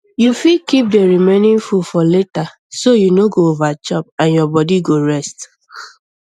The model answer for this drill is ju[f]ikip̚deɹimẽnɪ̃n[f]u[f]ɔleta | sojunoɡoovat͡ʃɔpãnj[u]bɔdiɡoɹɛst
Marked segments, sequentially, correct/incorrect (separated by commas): correct, correct, correct, incorrect